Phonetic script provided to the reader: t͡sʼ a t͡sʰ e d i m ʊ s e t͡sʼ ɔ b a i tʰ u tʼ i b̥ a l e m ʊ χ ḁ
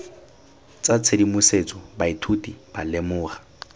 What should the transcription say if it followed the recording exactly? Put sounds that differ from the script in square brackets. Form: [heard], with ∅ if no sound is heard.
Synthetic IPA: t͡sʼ a t͡sʰ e d i m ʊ s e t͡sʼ ɔ b a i tʰ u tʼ i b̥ a l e m [ʊː] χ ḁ